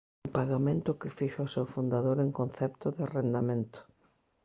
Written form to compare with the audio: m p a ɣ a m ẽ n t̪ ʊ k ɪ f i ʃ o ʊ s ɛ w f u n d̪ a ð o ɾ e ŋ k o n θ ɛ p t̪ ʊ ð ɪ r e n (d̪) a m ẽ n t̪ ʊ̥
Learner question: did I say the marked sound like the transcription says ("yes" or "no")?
yes